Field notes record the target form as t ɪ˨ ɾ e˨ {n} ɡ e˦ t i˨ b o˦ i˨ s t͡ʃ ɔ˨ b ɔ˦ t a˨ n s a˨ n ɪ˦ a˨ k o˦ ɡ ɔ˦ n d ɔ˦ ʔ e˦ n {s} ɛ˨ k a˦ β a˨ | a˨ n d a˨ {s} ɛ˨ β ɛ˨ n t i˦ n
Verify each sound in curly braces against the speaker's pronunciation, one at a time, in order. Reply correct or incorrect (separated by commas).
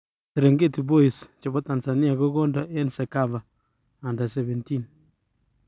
incorrect, correct, correct